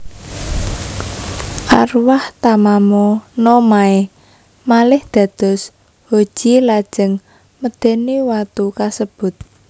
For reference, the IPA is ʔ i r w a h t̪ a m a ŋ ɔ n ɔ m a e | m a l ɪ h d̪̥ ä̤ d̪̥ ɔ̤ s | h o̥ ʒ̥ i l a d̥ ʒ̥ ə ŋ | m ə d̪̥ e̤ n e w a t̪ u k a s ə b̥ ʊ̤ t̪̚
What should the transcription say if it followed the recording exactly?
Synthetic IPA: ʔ a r w a h t̪ a m a m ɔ n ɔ m a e | m a l ɪ h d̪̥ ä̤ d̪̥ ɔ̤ s | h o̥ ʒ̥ i l a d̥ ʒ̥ ə ŋ | m ə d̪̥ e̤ n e w a t̪ u k a s ə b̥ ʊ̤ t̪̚